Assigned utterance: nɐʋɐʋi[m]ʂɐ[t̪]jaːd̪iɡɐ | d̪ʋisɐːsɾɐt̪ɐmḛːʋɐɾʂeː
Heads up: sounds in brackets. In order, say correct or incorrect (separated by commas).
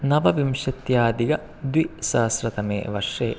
correct, correct